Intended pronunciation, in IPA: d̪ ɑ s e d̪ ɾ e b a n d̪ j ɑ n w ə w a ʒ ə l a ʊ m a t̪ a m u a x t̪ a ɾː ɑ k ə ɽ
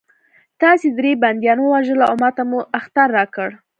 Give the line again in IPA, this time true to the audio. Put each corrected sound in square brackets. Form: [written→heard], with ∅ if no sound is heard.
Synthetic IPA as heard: [d̪→t̪] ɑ s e d̪ ɾ e b a n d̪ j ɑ n w ə w a ʒ ə l a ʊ m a t̪ a m u a x t̪ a ɾː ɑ k ə ɽ

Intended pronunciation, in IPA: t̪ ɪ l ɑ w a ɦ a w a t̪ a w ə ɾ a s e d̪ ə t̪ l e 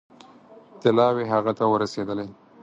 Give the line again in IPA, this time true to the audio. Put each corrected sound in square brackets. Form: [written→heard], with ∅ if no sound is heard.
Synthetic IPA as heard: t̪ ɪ l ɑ w [a→e] ɦ a [w→ɣ] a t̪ a w ə ɾ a s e d̪ ə [t̪→∅] l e

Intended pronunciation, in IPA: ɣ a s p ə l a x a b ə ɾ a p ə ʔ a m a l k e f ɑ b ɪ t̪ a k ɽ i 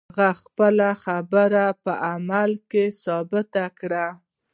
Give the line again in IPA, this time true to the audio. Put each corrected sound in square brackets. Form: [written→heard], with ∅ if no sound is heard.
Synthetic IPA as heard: ɣ a [s→x] p ə l a x a b ə ɾ a p ə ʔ a m a l k e [f→s] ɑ b ɪ t̪ a k ɽ [i→a]

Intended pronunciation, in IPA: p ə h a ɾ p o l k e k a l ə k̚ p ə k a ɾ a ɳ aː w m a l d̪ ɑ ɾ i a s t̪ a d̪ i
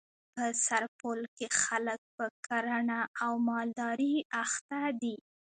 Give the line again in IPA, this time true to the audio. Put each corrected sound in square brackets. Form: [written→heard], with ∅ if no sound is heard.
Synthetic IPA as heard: p ə [h→s] a ɾ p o l k e [k→x] a l ə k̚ p ə k a ɾ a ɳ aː w m [a→ɑ] l d̪ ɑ ɾ i a [s→x] t̪ a d̪ i

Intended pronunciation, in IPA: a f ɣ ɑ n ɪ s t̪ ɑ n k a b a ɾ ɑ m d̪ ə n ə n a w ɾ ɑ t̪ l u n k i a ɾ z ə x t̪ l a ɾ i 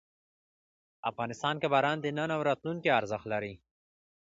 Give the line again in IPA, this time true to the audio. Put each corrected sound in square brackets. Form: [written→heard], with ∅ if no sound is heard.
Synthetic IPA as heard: a f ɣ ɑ n ɪ s t̪ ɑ n k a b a ɾ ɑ [m→n] d̪ ə n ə n a w ɾ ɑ t̪ l u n k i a ɾ z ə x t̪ l a ɾ i

